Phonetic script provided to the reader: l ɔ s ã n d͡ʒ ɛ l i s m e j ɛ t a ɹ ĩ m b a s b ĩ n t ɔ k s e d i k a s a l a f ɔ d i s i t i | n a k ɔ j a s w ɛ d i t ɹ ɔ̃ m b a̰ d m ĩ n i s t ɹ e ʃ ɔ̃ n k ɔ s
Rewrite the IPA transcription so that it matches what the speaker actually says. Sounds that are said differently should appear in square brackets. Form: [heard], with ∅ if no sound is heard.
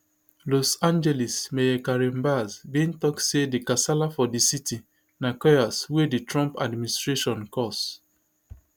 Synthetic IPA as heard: l ɔ s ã n d͡ʒ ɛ l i s m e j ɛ [k] a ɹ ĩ m b a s b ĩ n t ɔ k s e d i k a s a l a f ɔ d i s i t i | n a k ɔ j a s w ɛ d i t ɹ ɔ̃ m [p] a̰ d m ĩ n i s t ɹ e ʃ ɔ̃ n k ɔ s